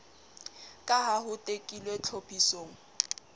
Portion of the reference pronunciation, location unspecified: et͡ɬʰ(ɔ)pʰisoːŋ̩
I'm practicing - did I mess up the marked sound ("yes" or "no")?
yes